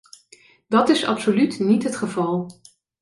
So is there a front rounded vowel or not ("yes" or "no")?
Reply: yes